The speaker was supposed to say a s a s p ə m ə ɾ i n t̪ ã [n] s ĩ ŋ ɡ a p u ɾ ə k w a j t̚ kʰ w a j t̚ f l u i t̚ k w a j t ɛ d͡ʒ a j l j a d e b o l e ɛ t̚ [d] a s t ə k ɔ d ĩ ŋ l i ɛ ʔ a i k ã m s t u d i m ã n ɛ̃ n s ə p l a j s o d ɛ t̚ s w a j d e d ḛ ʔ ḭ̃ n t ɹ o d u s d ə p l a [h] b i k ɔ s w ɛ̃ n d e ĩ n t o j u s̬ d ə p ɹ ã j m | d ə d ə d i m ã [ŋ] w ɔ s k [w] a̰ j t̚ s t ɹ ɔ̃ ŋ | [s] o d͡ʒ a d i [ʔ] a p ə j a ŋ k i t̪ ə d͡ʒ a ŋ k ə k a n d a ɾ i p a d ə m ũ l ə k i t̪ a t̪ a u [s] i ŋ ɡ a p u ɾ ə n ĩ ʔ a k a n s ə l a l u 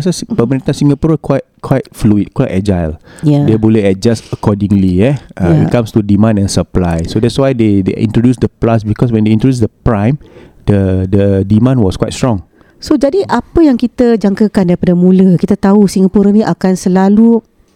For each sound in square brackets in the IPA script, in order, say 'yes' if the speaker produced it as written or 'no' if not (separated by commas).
yes, no, no, no, yes, yes, yes, yes